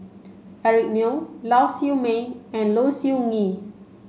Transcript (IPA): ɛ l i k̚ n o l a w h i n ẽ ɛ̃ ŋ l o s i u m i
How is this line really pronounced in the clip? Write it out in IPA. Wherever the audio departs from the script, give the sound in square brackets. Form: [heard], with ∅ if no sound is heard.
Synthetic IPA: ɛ [ɹ] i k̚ n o l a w [s] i [m] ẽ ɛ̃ [n] l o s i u [ŋ] i